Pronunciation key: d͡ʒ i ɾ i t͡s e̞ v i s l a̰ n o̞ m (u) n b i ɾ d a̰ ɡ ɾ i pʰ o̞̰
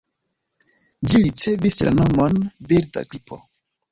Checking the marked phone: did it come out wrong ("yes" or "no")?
yes